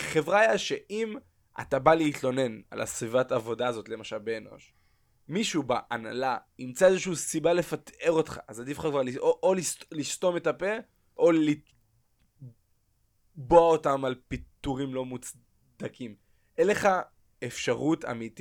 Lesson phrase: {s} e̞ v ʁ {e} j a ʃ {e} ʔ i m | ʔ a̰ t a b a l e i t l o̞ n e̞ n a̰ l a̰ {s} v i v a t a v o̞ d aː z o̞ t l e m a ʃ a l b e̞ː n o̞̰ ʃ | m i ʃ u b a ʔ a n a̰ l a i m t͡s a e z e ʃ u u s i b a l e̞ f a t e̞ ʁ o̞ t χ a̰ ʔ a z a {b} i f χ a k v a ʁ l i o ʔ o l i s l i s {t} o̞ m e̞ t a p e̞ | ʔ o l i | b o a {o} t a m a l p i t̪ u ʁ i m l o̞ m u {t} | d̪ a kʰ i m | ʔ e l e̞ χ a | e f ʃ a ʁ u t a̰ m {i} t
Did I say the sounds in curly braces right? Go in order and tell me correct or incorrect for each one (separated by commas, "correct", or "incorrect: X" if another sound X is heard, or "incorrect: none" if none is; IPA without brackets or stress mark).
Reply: incorrect: χ, incorrect: a, correct, correct, incorrect: d, correct, correct, incorrect: t͡s, correct